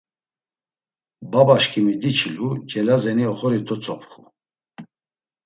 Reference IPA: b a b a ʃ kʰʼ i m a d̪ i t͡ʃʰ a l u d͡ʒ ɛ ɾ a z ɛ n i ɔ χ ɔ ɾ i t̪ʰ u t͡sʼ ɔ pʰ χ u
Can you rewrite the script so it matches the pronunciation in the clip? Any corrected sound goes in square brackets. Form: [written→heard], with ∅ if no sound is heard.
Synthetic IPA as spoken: b a b a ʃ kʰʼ i m [a→i] d̪ i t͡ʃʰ [a→i] l u d͡ʒ ɛ [ɾ→l] a z ɛ n i ɔ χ ɔ ɾ i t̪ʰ [u→ɔ] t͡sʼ ɔ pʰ χ u